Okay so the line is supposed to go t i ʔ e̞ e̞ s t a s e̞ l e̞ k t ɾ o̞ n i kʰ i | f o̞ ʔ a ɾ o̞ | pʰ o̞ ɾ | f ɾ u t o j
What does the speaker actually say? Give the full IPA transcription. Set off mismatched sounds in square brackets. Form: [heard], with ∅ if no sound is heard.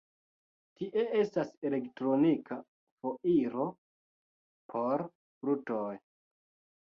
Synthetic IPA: t i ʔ e̞ e̞ s t a s e̞ l e̞ k t ɾ o̞ n i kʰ [a] | f o̞ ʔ [i] ɾ o̞ | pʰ o̞ ɾ | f ɾ u t o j